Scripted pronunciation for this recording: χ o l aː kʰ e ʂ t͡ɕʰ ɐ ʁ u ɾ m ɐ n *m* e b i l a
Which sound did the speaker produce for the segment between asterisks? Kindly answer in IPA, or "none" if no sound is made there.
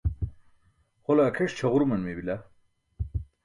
m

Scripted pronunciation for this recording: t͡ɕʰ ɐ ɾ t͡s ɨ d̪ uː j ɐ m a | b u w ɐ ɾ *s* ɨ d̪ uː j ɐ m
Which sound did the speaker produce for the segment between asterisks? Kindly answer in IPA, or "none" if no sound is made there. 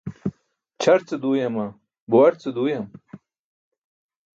t͡s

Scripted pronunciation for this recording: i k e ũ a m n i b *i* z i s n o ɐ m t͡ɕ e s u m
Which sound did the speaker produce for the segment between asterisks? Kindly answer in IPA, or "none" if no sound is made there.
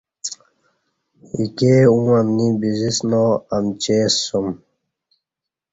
i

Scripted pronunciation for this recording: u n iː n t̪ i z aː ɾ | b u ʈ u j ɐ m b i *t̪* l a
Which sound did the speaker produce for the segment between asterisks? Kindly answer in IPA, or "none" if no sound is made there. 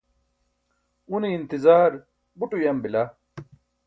none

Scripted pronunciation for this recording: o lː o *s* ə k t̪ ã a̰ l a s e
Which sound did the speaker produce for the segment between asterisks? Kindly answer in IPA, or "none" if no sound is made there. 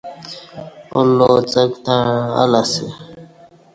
t͡s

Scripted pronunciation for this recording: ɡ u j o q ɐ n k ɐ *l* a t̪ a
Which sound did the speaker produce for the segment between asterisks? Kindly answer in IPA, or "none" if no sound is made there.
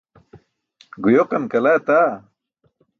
l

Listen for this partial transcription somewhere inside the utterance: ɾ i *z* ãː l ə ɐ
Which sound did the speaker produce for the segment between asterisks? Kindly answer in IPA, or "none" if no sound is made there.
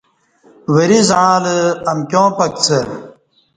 z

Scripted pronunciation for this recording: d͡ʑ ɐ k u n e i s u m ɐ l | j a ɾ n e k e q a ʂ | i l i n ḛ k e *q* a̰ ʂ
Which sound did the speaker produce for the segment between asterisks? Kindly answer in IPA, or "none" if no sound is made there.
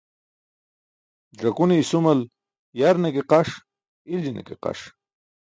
q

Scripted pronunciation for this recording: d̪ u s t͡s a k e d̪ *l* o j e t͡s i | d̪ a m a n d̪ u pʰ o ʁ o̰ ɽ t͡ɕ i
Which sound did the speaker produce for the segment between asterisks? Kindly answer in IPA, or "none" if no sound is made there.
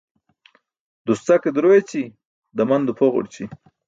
ɾ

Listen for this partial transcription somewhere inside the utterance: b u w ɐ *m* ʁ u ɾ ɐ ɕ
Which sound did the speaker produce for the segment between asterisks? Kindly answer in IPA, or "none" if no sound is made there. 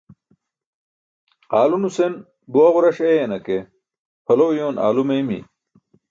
none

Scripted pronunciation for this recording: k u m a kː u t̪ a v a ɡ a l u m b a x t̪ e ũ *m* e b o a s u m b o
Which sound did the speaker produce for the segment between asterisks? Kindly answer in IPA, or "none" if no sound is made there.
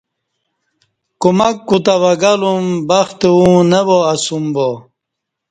n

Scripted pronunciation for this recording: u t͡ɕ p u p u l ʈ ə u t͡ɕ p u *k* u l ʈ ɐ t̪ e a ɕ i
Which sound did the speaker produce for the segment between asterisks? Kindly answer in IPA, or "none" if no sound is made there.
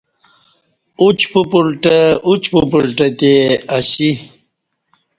p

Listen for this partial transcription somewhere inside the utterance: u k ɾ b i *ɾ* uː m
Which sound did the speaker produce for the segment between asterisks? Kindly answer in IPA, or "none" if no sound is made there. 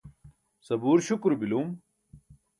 l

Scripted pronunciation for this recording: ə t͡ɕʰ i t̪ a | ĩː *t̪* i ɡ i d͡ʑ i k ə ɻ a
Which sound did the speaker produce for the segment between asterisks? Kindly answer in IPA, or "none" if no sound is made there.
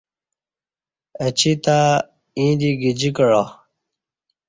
d̪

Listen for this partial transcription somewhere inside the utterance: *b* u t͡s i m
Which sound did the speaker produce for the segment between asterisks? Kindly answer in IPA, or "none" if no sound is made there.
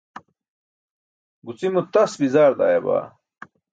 ɡ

